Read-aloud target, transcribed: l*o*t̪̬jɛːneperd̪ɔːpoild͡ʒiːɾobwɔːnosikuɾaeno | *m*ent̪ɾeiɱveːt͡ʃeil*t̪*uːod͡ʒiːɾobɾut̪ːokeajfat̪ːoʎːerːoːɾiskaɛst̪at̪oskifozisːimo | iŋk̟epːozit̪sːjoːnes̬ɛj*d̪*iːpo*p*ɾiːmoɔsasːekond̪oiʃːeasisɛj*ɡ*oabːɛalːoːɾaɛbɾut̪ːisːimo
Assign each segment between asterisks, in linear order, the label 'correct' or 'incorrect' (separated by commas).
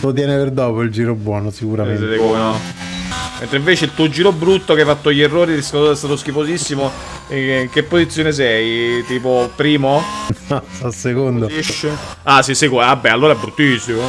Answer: correct, correct, correct, incorrect, correct, incorrect